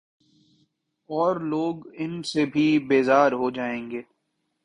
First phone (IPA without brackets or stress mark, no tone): ɔː